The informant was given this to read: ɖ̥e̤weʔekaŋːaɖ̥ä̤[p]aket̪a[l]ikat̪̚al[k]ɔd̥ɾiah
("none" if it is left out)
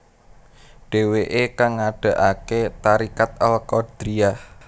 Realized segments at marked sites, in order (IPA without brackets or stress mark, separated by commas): ʔ, ɾ, k